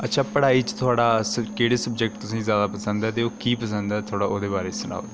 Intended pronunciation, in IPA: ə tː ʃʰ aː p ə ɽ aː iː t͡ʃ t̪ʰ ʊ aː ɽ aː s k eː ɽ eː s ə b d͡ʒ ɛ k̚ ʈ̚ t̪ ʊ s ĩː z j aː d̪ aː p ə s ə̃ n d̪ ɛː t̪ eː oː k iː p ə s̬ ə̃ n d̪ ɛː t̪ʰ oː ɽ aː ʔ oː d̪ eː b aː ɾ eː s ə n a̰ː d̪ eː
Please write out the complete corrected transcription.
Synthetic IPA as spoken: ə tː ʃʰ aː p ə ɽ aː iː t͡ʃ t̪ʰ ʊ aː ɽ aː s k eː ɽ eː s ə b d͡ʒ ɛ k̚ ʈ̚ t̪ ʊ s ĩː z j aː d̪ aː p ə s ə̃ n d̪ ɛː t̪ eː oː k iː p ə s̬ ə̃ n d̪ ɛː t̪ʰ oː ɽ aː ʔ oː d̪ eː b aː ɾ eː s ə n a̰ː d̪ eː